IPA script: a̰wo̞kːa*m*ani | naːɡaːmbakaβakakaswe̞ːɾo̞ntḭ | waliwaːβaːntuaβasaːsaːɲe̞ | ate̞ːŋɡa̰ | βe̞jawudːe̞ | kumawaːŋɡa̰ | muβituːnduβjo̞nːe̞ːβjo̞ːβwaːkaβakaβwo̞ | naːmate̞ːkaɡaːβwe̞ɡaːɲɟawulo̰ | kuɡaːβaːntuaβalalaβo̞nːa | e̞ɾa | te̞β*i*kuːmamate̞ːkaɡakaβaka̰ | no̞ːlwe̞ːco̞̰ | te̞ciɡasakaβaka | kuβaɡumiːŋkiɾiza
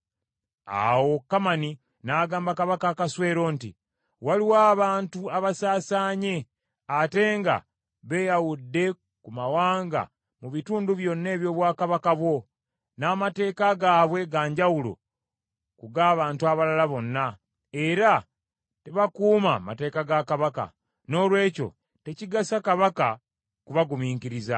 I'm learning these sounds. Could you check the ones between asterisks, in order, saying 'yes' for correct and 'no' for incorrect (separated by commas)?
yes, no